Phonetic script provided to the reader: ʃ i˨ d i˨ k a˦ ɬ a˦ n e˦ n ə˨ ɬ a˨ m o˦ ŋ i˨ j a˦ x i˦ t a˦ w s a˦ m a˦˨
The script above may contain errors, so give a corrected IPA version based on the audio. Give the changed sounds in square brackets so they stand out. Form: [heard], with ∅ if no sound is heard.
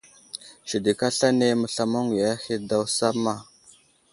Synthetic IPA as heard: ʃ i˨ d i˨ k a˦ ɬ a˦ n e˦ [m] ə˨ ɬ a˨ m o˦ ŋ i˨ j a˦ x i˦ [d] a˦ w s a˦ m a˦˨